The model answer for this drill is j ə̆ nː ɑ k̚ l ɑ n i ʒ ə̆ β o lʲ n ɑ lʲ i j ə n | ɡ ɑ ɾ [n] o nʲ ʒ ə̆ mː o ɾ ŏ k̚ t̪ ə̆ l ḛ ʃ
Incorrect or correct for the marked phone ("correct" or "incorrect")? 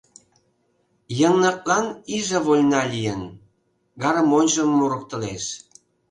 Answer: incorrect